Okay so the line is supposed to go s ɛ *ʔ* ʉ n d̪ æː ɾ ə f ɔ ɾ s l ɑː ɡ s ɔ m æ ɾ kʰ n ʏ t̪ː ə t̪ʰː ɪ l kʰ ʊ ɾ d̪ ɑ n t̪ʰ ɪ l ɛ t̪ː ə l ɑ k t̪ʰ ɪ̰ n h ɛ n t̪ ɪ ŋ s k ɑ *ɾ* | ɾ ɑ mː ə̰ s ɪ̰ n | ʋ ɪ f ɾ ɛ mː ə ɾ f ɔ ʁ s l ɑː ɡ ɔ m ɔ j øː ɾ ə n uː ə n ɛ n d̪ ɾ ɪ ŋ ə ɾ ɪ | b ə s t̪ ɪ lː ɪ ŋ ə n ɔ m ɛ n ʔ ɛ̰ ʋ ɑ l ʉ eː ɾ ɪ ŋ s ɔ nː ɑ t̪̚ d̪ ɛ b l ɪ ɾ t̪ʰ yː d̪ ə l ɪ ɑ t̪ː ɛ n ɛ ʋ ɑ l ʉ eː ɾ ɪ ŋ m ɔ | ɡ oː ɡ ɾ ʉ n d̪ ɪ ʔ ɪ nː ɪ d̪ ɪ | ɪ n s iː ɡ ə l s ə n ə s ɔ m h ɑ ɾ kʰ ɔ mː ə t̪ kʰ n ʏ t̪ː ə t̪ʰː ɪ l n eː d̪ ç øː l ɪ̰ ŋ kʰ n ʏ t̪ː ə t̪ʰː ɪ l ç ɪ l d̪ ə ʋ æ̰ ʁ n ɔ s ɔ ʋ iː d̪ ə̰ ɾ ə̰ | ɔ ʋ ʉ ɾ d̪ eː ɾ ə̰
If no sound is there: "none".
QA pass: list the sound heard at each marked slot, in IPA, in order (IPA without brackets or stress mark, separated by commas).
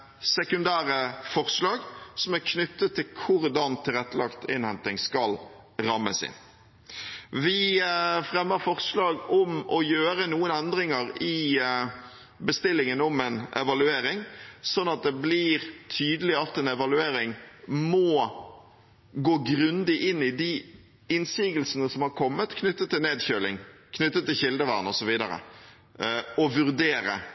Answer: k, l